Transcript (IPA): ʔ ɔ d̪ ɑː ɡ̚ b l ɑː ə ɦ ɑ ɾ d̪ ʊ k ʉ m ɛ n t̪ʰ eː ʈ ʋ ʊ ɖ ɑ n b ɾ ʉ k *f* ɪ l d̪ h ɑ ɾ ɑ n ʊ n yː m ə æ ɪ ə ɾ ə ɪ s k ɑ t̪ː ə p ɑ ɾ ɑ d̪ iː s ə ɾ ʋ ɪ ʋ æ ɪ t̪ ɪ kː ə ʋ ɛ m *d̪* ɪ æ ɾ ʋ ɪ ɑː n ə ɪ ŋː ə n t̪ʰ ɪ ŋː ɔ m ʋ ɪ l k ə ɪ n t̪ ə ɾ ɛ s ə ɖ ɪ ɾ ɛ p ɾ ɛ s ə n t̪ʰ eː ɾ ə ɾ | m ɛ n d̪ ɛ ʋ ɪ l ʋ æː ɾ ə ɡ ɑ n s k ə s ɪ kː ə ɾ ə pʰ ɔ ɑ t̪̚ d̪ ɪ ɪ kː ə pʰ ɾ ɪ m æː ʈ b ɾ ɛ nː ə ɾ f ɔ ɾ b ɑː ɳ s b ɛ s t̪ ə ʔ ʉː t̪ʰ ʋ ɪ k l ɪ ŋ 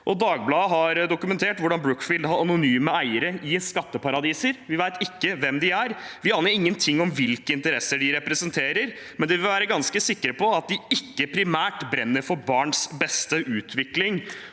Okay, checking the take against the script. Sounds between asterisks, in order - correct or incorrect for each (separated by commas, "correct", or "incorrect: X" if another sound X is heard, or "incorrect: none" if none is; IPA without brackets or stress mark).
correct, correct